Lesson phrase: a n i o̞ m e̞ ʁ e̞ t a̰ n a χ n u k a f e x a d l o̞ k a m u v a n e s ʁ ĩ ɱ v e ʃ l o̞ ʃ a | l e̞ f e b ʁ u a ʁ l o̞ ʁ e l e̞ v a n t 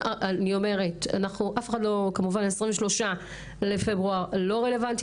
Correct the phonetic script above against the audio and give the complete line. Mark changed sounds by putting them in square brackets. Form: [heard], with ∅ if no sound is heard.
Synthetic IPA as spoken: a n i o̞ m e̞ ʁ e̞ t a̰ n a χ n u [ʔ] a f e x a d l o̞ k a m u v a n e s ʁ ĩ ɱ v e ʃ l o̞ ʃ a | l e̞ f e b ʁ u a ʁ l o̞ ʁ e l e̞ v a n t